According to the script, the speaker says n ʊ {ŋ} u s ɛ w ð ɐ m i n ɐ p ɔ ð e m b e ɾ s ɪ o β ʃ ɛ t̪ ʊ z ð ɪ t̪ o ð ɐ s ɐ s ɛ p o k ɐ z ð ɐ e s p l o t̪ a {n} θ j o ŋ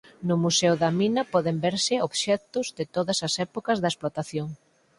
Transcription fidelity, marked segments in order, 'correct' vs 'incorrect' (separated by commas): incorrect, incorrect